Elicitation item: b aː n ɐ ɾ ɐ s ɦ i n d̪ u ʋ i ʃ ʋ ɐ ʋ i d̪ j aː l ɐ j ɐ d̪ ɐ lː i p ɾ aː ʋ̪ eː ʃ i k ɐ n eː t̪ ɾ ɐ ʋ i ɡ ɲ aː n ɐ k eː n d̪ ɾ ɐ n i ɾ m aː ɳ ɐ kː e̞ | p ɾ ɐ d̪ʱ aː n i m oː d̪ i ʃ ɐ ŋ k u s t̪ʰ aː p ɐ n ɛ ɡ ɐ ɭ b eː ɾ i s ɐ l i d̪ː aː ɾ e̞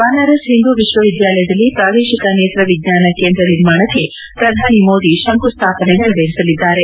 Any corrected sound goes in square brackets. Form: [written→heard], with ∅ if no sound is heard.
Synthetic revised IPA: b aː n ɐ ɾ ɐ s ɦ i n d̪ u ʋ i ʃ ʋ ɐ ʋ i d̪ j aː l ɐ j ɐ d̪ ɐ lː i p ɾ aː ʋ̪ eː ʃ i k ɐ n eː t̪ ɾ ɐ ʋ i ɡ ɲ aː n ɐ k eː n d̪ ɾ ɐ n i ɾ m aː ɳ ɐ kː e̞ | p ɾ ɐ d̪ʱ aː n i m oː d̪ i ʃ ɐ ŋ k u s t̪ʰ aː p ɐ n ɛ ɡ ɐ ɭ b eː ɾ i s ɐ l i d̪ː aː ɾ e̞